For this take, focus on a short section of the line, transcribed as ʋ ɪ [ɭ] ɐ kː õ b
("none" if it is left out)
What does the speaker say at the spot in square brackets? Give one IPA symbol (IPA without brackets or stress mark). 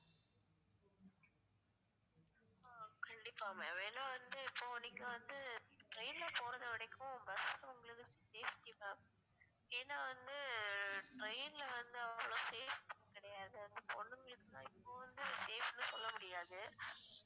ɽ